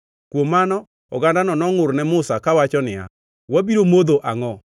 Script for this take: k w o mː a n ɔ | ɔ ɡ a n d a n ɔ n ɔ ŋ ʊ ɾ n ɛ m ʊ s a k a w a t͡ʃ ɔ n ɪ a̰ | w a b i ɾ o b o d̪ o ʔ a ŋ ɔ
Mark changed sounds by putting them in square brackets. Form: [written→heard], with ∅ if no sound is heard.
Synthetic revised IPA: k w o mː a n ɔ | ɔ ɡ a n d a n ɔ n ɔ ŋ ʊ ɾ n ɛ m ʊ s a k a w a t͡ʃ ɔ n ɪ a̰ | w a b i ɾ o [b→m] o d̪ o ʔ a ŋ ɔ